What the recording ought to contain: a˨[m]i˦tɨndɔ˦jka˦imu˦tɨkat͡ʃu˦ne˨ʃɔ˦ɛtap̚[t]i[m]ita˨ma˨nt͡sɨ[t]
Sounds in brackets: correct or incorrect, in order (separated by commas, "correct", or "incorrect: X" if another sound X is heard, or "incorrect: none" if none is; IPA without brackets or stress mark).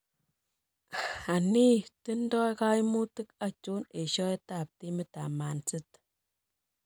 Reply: incorrect: n, correct, correct, correct